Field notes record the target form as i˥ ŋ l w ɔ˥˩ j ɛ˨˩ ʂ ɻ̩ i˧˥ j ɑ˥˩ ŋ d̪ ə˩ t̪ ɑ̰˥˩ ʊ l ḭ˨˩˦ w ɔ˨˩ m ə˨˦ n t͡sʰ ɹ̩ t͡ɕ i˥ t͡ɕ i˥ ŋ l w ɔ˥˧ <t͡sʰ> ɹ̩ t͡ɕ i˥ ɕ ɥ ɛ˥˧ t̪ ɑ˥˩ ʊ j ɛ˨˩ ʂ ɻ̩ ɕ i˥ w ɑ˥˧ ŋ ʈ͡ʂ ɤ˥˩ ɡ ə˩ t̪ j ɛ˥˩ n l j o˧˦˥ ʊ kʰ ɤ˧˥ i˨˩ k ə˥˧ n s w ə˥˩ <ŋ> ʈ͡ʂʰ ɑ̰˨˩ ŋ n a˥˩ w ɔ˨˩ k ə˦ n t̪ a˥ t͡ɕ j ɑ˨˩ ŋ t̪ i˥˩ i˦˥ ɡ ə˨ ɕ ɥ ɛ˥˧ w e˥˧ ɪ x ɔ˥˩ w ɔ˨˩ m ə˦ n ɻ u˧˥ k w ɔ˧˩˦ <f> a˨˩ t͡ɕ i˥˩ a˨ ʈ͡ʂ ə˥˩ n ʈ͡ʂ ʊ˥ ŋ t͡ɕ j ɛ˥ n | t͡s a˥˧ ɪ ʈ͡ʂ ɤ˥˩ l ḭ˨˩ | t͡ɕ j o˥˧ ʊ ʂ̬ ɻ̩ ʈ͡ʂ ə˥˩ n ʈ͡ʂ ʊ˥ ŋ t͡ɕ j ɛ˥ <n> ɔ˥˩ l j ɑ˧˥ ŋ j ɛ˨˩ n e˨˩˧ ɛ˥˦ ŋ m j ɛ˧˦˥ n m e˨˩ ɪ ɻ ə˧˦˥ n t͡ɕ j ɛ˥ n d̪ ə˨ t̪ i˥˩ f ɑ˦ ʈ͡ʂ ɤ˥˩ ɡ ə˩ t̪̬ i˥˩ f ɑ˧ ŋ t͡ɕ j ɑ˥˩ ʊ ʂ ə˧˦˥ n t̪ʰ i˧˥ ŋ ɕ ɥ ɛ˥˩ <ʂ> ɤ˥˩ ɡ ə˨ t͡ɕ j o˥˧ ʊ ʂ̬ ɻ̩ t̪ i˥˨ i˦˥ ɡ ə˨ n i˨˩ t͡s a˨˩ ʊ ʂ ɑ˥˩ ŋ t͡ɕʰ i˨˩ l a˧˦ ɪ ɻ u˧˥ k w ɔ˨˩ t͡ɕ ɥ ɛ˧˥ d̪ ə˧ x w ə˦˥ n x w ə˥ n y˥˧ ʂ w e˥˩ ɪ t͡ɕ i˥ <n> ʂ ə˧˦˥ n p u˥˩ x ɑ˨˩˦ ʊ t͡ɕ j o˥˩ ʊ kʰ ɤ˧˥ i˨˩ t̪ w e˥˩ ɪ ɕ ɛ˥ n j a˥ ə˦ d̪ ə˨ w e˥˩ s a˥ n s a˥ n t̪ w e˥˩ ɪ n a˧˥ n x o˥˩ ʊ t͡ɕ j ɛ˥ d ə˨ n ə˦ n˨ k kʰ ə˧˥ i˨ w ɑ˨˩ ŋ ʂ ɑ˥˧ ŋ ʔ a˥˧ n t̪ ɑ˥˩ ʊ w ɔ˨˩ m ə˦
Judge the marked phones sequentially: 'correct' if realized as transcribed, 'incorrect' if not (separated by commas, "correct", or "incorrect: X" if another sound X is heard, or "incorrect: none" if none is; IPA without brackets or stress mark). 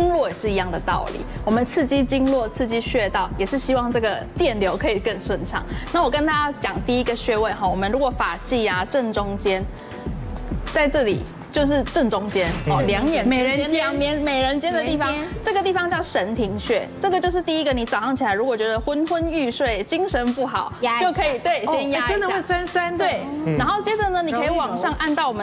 correct, incorrect: n, correct, correct, incorrect: ʈ͡ʂ, incorrect: ŋ